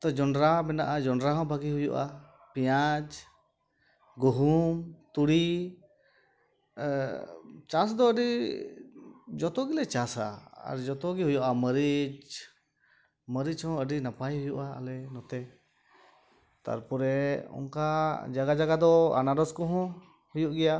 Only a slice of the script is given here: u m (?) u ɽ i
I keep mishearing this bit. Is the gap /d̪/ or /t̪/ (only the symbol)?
t̪